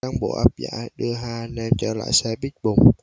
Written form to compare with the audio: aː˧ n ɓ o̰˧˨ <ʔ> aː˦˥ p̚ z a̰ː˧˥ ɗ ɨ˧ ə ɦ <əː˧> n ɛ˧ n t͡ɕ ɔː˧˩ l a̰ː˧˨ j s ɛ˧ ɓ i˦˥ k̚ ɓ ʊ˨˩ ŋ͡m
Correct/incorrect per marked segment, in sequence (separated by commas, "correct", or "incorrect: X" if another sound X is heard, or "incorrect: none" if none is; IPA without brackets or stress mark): correct, incorrect: aː˧